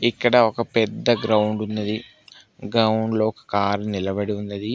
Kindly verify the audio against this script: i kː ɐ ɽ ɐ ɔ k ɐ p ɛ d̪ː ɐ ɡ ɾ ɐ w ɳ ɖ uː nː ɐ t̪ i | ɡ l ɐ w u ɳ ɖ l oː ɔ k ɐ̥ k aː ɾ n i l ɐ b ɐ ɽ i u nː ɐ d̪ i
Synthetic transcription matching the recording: i kː ɐ ɽ ɐ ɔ k ɐ p ɛ d̪ː ɐ ɡ ɾ ɐ w ɳ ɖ u nː ɐ d̪ i | ɡ ɾ ɐ w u ɳ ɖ l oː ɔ k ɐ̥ k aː ɾ n i l ɐ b ɐ ɽ i u nː ɐ d̪ i